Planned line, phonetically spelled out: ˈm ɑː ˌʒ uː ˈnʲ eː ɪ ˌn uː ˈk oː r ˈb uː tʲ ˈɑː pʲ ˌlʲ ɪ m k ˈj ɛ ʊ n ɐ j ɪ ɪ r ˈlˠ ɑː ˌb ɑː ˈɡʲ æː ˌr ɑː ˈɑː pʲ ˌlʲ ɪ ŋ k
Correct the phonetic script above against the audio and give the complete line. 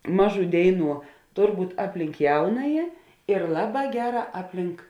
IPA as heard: ˈm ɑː ˌʒ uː ˈdʲ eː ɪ ˌn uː ˈt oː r ˈb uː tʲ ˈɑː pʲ ˌlʲ ɪ ŋ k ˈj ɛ ʊ n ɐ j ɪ ɪ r ˈlˠ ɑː ˌb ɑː ˈɡʲ æː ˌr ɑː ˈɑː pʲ ˌlʲ ɪ ŋ k